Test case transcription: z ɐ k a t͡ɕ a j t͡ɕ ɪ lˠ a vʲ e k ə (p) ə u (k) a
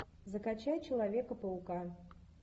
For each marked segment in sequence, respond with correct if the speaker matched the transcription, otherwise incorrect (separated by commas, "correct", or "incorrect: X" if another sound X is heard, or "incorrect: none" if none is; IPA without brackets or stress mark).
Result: correct, correct